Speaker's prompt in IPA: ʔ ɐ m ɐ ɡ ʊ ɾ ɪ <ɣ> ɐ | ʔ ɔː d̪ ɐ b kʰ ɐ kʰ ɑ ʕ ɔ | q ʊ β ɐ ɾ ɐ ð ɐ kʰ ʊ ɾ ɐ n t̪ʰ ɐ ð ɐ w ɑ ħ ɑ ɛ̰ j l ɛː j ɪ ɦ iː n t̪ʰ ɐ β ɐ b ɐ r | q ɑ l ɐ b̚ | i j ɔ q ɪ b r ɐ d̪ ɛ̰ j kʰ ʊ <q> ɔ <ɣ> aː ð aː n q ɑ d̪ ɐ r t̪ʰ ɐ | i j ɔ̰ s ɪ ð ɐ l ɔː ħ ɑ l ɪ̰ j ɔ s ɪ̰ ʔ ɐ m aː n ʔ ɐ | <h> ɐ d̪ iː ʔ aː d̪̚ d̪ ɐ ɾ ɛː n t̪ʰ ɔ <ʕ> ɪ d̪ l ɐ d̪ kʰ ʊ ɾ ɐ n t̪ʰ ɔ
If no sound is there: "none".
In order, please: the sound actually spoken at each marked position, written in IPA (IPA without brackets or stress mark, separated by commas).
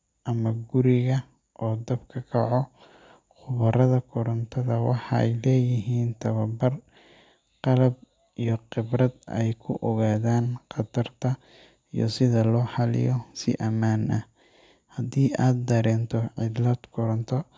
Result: ɣ, ʔ, ɣ, h, ʕ